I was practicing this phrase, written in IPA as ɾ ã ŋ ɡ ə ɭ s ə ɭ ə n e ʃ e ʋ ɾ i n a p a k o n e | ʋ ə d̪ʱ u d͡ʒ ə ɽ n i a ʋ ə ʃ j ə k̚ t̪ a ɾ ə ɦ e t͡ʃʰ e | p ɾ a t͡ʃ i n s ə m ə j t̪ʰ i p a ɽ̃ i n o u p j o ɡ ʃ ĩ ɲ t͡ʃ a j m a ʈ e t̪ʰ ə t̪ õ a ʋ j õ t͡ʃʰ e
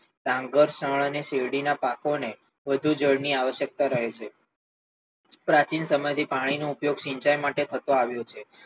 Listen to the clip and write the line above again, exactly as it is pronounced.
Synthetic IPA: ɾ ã ŋ ɡ ə ɾ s ə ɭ ə n e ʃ e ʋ ɽ i n a p a k o n e | ʋ ə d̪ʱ u d͡ʒ ə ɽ n i a ʋ ə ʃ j ə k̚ t̪ a ɾ ə ɦ e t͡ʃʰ e | p ɾ a t͡ʃ i n s ə m ə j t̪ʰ i p a ɽ̃ i n o u p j o ɡ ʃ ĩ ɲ t͡ʃ a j m a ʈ e t̪ʰ ə t̪ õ a ʋ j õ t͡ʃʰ e